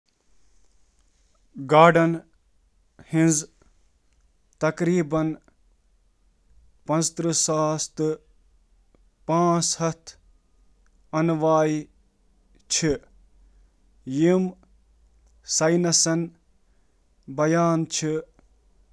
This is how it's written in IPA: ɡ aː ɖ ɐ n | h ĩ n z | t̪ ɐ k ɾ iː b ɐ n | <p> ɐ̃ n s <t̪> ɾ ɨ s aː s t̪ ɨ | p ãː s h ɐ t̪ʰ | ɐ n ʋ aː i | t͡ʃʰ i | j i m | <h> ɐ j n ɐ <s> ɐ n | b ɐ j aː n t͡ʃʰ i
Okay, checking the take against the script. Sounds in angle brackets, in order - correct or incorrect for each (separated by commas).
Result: correct, correct, incorrect, correct